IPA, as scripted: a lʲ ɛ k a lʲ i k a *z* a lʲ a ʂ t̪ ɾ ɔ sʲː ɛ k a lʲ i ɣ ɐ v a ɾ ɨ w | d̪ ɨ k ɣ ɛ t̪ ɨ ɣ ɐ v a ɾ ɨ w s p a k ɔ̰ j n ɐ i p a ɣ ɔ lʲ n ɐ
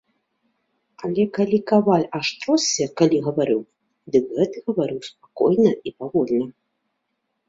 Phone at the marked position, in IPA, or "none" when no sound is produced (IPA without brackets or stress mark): v